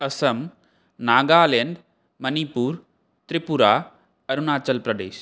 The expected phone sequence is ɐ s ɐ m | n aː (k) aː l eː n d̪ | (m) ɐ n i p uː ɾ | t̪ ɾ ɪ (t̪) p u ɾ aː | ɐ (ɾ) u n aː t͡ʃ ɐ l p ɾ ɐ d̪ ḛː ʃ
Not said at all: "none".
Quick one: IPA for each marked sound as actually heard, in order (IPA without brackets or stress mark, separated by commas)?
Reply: ɡ, m, none, ɾ